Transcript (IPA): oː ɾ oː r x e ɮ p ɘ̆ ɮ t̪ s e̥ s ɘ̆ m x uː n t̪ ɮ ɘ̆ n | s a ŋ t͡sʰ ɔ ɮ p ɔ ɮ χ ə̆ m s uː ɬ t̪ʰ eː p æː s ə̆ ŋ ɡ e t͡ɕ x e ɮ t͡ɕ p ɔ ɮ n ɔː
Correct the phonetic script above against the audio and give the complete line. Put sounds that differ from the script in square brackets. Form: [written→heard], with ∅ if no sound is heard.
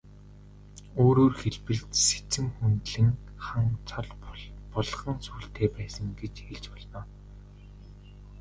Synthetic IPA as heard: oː ɾ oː r x e ɮ p ɘ̆ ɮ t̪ s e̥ [s→t͡s] ɘ̆ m x [uː→u] n t̪ ɮ ɘ̆ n | [s→χ] a ŋ t͡sʰ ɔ ɮ p ɔ ɮ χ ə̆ [m→ŋ] s uː ɬ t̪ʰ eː p æː s ə̆ ŋ ɡ e t͡ɕ x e ɮ t͡ɕ p ɔ ɮ n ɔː